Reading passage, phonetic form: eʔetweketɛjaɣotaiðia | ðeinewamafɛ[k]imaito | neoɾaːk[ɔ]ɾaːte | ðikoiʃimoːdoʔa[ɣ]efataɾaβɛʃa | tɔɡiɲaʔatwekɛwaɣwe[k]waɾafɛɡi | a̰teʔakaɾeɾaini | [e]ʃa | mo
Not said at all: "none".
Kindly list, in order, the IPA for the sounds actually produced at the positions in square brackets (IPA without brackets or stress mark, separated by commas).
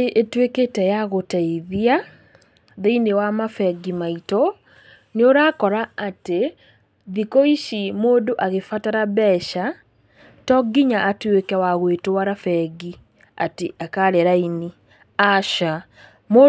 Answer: ɡ, ɔ, ɣ, t, a